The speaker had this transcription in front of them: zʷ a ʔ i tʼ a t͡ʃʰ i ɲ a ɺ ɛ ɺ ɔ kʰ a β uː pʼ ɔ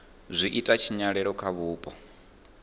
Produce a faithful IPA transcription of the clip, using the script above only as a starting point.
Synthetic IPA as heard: zʷ i ʔ i tʼ a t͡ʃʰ i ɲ a ɺ ɛ ɺ ɔ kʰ a β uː pʼ ɔ